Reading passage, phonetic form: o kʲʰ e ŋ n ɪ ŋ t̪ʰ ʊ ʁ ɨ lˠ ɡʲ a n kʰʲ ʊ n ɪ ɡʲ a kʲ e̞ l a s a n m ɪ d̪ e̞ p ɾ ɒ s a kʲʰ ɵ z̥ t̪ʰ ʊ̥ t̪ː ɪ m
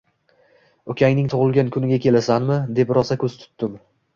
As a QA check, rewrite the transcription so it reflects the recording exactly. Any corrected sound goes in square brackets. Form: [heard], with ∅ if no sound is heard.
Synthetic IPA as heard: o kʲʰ [a] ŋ n ɪ ŋ t̪ʰ ʊ ʁ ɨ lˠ ɡʲ a n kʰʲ ʊ n ɪ ɡʲ a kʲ e̞ l a s a n m ɪ d̪ e̞ p ɾ ɒ s a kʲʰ ɵ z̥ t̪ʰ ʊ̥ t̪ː ɪ m